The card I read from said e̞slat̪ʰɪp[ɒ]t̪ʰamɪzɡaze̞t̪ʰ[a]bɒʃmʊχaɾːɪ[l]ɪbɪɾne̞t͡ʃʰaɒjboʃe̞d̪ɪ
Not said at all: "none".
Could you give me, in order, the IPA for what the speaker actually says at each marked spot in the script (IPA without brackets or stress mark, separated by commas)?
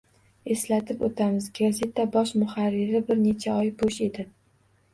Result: o, a, ɾ